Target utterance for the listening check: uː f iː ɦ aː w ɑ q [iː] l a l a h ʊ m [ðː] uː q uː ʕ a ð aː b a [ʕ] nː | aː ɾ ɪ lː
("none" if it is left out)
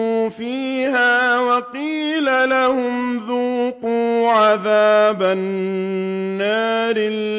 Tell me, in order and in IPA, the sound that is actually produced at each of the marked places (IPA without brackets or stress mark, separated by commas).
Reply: iː, ð, none